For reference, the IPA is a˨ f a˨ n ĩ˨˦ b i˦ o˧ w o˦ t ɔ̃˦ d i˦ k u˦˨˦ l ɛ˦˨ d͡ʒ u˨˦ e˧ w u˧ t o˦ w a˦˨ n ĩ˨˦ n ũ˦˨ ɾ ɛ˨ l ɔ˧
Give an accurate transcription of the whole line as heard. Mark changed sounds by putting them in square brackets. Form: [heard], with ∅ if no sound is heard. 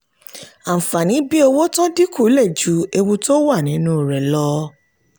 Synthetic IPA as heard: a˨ f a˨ n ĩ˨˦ b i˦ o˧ w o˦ t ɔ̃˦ d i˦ k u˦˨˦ l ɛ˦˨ d͡ʒ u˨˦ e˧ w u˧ t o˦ w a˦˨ n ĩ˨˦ n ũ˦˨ ɾ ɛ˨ l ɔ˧